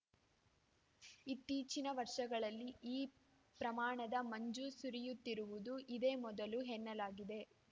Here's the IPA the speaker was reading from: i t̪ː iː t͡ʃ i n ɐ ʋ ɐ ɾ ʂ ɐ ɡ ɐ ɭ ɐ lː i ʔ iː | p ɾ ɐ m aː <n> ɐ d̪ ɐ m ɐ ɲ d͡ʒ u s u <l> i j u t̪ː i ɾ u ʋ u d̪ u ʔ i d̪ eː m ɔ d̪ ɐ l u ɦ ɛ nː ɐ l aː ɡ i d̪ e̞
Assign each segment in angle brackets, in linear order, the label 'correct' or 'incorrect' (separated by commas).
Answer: incorrect, incorrect